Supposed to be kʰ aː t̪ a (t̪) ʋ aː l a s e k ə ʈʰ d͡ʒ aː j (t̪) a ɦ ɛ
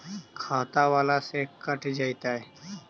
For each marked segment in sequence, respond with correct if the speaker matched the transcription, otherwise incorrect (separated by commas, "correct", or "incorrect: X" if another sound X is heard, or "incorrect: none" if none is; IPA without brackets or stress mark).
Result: incorrect: none, correct